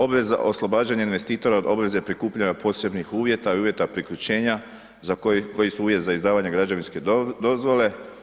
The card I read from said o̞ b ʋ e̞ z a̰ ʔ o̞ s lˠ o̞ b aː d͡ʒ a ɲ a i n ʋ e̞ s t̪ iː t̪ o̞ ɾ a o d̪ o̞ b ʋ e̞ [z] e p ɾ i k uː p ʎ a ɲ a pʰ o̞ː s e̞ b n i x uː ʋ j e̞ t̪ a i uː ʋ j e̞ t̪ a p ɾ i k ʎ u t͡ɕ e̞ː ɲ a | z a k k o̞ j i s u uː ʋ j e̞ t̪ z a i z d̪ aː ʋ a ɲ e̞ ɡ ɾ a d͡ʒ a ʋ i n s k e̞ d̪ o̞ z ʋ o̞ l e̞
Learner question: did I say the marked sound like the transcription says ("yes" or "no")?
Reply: yes